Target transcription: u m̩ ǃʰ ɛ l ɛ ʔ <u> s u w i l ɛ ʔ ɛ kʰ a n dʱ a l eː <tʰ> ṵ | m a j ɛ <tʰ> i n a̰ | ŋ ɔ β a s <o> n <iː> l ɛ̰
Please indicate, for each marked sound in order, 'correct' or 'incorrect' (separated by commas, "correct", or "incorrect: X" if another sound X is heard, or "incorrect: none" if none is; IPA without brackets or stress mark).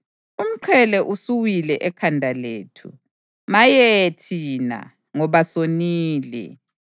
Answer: correct, correct, correct, correct, correct